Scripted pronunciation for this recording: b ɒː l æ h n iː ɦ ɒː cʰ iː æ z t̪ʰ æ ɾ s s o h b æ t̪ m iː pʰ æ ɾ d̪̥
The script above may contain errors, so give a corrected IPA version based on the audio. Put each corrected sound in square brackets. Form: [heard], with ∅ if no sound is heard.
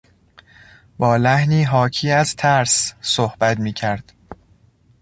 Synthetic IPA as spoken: b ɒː l æ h n iː ɦ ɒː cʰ iː æ z t̪ʰ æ ɾ s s o h b æ t̪ m iː [cʰ] æ ɾ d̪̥